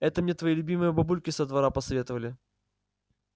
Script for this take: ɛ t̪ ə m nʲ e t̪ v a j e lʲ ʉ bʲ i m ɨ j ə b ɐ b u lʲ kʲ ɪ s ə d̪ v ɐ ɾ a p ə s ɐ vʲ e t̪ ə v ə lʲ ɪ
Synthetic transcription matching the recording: ɛ t̪ ə m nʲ e t̪ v ɐ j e lʲ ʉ bʲ i m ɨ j ə b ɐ b u lʲ kʲ ɪ s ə d̪ v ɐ ɾ a p ə s ɐ vʲ e t̪ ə v ə lʲ ɪ